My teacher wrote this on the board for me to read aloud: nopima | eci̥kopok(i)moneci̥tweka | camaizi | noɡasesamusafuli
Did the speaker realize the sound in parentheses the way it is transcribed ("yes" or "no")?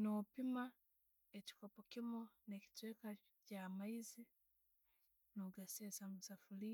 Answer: yes